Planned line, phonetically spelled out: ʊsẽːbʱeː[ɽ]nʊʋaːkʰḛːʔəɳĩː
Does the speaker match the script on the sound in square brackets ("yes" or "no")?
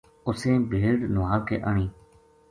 yes